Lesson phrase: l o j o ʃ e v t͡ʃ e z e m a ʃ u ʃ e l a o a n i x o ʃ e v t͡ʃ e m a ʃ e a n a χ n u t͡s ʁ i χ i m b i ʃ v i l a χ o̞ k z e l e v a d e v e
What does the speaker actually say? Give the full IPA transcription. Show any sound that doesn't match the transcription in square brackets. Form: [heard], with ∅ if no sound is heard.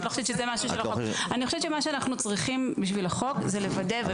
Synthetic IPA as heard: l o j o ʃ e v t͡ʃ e z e m a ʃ u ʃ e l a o a n i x o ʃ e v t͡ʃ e m a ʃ e a n a χ n u t͡s ʁ i χ i m b i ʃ v i l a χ o̞ k z e l e v a d e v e